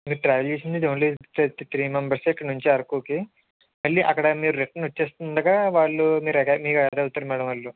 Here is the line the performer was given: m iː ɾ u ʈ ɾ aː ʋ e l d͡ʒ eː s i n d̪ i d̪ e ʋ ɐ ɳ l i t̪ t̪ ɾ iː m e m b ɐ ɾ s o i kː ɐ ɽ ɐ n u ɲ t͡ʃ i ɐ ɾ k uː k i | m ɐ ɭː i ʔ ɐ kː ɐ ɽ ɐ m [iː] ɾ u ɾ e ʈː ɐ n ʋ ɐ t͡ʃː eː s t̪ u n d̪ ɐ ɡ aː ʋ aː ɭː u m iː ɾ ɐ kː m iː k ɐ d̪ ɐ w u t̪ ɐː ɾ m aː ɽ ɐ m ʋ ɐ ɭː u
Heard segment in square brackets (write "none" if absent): iː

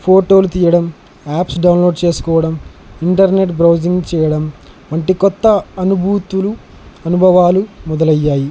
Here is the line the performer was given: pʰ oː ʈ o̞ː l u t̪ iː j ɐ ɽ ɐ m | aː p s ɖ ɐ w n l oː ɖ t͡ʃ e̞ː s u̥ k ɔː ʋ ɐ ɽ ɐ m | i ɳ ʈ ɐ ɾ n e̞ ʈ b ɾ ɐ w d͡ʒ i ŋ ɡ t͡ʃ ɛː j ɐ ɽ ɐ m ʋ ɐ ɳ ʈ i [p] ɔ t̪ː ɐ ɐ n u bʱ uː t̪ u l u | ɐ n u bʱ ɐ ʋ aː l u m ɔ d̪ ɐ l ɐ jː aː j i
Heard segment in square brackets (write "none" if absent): k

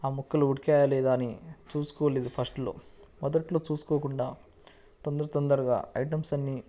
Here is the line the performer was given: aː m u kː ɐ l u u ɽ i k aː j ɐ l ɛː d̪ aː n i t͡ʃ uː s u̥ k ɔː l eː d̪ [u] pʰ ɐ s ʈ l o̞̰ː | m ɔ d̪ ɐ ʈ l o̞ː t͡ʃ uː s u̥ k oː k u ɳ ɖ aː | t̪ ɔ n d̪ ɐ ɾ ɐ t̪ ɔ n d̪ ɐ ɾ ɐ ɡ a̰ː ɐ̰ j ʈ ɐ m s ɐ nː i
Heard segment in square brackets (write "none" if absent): u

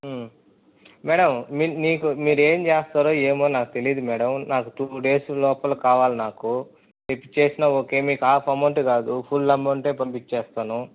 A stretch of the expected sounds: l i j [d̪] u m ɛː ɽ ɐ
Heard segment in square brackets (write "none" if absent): d̪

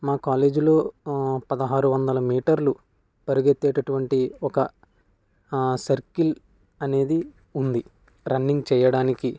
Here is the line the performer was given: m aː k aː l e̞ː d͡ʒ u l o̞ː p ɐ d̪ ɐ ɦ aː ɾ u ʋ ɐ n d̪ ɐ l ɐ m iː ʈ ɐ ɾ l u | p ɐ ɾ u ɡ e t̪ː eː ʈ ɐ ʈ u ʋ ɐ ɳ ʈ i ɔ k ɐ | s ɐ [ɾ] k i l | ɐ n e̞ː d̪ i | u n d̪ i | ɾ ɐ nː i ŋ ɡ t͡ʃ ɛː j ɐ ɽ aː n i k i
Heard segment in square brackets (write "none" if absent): ɾ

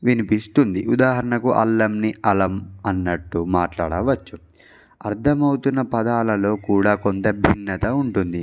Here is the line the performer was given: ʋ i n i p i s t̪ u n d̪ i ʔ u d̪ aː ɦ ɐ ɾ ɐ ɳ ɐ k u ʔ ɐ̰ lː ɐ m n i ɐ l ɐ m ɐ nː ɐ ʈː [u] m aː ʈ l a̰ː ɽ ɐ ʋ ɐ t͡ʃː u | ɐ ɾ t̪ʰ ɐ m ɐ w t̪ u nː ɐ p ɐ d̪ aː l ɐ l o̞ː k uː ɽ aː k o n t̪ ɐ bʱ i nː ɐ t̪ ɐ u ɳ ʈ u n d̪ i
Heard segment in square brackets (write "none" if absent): u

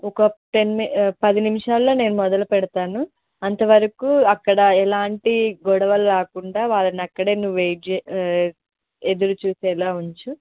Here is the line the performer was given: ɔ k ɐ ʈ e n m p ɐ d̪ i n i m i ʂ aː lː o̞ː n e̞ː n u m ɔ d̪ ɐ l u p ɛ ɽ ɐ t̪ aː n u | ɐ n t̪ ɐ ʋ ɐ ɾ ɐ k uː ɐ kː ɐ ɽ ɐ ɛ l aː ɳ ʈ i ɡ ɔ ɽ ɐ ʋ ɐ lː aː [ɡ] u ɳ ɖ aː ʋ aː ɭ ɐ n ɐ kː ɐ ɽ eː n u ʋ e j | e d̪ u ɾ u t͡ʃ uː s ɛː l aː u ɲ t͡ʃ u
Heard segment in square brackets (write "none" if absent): k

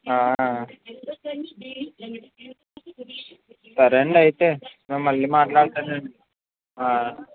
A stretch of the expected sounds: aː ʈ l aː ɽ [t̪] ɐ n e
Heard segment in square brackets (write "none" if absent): t̪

